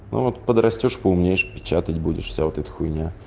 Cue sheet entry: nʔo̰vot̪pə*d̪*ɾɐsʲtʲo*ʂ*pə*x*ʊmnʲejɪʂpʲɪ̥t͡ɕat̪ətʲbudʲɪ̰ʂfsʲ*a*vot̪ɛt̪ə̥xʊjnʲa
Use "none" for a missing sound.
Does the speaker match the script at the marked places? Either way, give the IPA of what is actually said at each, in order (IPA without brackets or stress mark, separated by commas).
d̪, ʂ, none, a